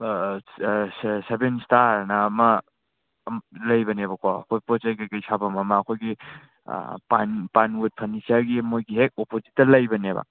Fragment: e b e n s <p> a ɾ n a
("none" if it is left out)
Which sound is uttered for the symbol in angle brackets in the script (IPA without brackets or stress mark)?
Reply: t